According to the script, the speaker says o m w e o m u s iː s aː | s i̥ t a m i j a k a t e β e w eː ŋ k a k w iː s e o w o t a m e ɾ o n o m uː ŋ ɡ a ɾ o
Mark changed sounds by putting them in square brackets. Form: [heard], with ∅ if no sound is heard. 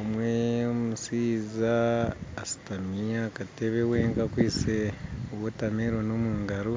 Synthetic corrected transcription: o m w e o m u s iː [z] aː | s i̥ t a m i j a k a t e β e w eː ŋ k a k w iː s e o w o t a m e ɾ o n o m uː ŋ ɡ a ɾ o